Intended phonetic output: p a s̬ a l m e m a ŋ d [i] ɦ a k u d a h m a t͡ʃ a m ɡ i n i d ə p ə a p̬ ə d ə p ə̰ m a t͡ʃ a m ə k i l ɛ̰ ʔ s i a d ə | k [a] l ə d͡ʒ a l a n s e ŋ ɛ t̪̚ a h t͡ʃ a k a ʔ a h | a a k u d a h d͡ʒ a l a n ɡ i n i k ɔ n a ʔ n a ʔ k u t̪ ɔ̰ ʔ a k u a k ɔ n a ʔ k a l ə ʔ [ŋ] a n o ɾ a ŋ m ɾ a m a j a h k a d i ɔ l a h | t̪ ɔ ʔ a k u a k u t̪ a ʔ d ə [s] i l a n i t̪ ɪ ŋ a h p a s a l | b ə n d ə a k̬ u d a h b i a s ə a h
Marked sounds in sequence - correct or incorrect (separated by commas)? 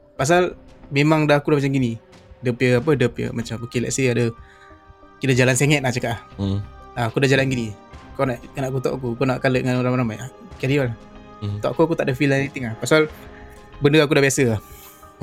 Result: incorrect, incorrect, correct, incorrect